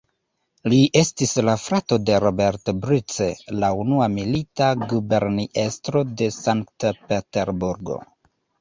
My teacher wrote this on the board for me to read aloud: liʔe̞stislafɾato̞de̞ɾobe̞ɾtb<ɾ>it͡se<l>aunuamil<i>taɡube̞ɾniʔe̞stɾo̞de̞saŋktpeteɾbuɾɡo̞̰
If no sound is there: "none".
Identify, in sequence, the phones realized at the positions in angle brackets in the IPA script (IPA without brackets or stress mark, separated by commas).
ɾ, l, i